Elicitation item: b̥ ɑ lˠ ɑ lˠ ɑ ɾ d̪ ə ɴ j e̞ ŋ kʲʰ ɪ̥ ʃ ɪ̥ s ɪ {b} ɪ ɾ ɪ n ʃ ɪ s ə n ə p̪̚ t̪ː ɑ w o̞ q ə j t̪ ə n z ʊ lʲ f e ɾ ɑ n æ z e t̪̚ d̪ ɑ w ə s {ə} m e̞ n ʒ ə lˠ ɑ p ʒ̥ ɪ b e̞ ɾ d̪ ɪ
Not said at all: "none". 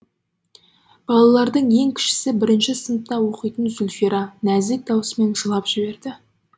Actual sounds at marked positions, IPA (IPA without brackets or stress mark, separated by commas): b, ə